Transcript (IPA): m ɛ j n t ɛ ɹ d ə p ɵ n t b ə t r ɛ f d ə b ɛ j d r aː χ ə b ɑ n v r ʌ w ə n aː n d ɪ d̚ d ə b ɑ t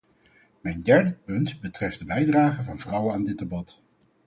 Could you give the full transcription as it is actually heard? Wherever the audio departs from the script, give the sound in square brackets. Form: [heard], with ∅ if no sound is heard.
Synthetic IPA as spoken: m ɛ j n [d] ɛ ɹ d ə p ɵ n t b ə t r ɛ f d ə b ɛ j d r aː χ ə [v] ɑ n v r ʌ w ə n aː n d ɪ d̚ d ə b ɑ t